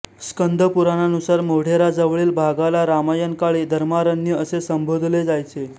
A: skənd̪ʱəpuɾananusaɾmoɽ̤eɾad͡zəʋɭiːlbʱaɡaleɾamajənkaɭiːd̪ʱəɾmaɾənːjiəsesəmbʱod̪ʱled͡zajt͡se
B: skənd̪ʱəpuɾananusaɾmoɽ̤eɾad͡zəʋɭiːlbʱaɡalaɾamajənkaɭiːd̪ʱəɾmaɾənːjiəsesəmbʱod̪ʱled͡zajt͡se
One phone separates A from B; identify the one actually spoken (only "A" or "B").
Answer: B